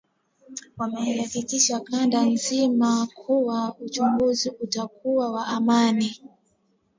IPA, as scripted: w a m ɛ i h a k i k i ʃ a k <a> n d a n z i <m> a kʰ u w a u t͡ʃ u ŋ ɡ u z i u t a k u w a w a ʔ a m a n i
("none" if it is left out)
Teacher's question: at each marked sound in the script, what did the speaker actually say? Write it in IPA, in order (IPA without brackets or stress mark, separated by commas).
a, m